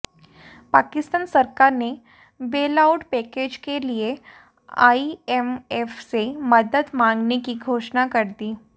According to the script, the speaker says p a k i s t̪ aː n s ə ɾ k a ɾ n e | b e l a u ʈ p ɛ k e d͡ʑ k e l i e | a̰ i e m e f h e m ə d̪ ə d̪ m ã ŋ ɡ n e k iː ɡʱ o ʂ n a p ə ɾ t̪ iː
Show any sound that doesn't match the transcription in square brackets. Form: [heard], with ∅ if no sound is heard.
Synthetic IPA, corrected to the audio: p a k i s t̪ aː n s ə ɾ k a ɾ n e | b e l a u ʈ p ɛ k e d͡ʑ k e l i e | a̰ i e m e f [s] e m ə d̪ ə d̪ m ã ŋ ɡ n e k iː ɡʱ o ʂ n a [k] ə ɾ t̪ iː